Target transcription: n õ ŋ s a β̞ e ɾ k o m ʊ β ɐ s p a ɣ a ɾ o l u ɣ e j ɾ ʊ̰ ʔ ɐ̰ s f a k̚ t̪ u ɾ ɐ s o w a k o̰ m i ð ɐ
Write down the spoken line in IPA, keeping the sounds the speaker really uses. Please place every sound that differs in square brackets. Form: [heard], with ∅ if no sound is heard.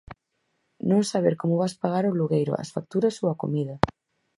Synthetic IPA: n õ ŋ s a β̞ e ɾ k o m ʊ β [a] s p a ɣ a ɾ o l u ɣ e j ɾ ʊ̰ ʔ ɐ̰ s f a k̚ t̪ u ɾ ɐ s o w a k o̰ m i ð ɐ